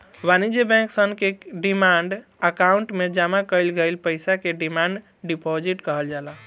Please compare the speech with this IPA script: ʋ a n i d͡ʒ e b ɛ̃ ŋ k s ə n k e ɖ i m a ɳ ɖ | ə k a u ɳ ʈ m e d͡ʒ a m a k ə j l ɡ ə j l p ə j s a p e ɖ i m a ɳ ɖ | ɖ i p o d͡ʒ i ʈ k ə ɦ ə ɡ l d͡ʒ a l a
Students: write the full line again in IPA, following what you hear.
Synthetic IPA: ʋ a n i d͡ʒ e b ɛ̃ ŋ k s ə n k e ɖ i m a ɳ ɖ | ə k a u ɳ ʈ m e d͡ʒ a m a k ə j l ɡ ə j l p ə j s a k e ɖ i m a ɳ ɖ | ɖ i p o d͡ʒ i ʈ k ə ɦ ə l d͡ʒ a l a